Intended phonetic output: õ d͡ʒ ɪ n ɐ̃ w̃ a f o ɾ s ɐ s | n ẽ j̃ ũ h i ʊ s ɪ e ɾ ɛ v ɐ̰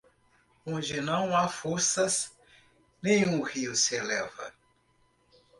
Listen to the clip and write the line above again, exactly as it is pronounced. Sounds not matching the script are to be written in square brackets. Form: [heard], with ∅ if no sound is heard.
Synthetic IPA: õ d͡ʒ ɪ n ɐ̃ w̃ a f o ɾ s ɐ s | n ẽ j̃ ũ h i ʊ s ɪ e [l] ɛ v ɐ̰